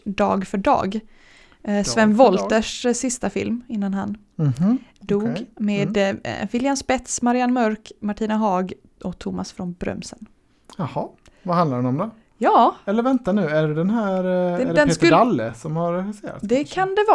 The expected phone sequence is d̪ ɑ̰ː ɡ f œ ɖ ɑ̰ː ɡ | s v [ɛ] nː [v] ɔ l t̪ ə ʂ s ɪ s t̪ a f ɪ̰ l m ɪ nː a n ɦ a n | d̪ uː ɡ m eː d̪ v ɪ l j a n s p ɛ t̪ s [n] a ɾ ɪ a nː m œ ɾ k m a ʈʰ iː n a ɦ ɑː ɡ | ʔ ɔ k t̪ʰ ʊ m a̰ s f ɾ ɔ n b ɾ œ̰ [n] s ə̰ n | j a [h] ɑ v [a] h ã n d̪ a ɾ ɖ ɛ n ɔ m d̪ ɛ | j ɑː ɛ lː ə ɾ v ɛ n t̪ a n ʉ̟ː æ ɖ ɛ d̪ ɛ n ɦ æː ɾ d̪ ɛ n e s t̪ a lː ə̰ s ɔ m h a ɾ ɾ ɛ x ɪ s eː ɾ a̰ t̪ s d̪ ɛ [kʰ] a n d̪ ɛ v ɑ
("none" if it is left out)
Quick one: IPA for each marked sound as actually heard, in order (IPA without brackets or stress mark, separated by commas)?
ɛ, v, m, m, h, a, kʰ